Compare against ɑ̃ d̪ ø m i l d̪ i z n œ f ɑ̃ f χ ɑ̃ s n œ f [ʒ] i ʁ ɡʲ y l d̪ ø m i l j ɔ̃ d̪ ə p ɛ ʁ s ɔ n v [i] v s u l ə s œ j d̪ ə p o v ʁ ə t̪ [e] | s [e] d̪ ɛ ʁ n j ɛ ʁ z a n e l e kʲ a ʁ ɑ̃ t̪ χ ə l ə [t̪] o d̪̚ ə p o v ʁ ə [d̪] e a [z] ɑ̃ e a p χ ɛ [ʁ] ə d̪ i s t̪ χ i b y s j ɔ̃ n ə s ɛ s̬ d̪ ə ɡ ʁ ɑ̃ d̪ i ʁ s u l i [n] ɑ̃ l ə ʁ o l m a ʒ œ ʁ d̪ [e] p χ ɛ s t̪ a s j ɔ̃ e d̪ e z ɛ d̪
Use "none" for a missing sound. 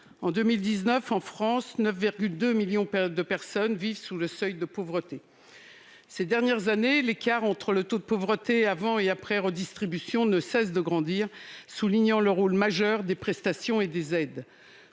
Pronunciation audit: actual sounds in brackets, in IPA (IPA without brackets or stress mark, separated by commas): v, i, e, e, t̪, t̪, v, ʁ, ɲ, e